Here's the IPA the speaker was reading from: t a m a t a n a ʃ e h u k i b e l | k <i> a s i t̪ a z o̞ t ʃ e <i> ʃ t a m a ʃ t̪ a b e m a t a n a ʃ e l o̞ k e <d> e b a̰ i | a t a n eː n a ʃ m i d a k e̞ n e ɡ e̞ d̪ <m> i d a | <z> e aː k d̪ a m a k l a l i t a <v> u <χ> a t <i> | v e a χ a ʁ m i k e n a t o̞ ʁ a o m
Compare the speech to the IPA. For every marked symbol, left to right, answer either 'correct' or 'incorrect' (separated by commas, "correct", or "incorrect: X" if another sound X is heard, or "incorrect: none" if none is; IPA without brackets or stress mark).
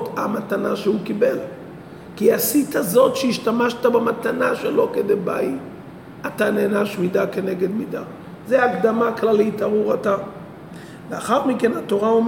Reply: correct, correct, correct, correct, correct, incorrect: ʁ, incorrect: ʁ, incorrect: a